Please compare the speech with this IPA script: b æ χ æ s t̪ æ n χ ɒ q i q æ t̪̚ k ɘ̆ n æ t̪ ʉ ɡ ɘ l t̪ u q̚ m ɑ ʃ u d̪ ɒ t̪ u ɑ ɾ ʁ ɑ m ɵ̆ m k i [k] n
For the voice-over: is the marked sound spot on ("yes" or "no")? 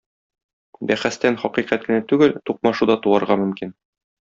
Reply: no